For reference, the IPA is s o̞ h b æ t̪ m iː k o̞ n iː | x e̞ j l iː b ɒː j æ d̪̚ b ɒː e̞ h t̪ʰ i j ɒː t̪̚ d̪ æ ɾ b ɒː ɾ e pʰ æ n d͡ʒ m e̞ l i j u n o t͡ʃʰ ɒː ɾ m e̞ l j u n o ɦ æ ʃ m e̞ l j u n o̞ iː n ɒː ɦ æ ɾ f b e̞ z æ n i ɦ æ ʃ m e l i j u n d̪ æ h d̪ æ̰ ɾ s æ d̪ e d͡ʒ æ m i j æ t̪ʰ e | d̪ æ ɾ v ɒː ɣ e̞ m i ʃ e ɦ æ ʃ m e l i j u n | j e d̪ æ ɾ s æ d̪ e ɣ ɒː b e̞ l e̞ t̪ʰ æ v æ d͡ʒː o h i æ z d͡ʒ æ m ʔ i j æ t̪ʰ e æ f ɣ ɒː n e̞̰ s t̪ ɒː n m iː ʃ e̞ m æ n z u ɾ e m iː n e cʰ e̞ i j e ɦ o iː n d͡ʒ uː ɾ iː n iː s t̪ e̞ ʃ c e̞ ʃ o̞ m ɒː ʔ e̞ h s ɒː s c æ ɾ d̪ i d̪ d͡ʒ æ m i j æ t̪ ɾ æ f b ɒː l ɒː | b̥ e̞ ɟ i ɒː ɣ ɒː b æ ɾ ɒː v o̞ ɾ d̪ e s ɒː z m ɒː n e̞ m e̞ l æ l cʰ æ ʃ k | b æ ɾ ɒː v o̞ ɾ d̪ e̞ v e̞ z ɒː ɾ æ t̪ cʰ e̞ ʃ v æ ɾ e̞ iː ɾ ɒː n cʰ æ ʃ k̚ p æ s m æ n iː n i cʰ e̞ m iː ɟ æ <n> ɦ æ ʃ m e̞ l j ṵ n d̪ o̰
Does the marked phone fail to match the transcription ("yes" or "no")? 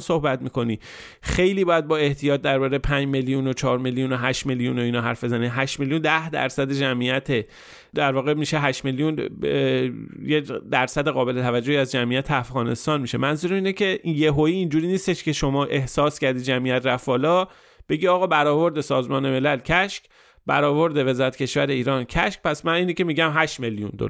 yes